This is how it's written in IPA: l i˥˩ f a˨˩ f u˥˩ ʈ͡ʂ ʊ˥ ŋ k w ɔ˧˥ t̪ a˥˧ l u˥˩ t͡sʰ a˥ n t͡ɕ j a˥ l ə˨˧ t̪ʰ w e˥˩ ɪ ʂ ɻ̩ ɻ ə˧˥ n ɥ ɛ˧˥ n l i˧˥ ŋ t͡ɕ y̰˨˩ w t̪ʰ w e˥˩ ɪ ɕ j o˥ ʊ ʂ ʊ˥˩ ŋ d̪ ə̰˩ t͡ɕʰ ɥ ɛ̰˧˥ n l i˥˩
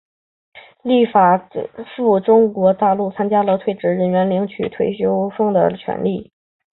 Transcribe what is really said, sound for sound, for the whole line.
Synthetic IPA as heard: l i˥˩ f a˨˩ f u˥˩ ʈ͡ʂ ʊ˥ ŋ k w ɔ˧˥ t̪ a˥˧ l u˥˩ t͡sʰ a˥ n t͡ɕ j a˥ l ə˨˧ t̪ʰ w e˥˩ ɪ ʈ͡ʂ ɻ̩ ɻ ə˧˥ n ɥ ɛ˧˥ n l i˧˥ ŋ t͡ɕʰ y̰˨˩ t̪ʰ w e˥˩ ɪ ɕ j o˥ ʊ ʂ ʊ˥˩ ŋ d̪ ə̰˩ t͡ɕʰ ɥ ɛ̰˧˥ n l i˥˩